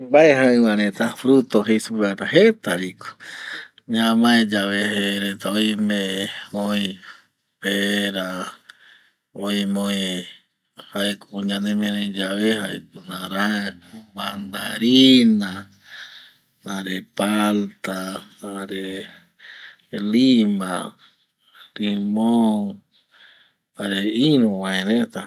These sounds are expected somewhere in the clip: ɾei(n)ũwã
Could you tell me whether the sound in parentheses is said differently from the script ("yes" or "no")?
no